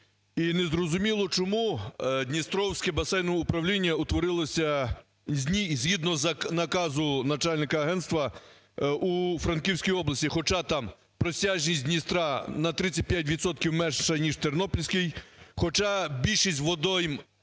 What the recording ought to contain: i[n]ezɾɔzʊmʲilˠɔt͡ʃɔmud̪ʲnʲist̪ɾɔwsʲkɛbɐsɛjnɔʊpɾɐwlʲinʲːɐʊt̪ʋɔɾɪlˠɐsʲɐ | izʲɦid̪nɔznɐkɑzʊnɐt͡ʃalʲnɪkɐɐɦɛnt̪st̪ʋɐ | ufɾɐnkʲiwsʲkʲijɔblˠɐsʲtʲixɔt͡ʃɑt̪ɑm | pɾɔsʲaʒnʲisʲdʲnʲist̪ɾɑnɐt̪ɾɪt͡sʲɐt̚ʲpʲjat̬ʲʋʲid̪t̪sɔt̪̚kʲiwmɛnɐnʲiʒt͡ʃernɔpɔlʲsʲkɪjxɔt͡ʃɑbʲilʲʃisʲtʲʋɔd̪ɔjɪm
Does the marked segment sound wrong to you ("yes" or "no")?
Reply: no